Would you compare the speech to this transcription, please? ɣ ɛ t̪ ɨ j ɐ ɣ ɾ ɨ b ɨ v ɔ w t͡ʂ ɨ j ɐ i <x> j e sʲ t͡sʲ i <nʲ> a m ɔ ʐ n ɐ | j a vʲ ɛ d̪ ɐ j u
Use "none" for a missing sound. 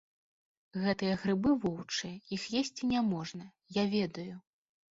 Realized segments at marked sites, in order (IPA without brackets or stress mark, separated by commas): x, nʲ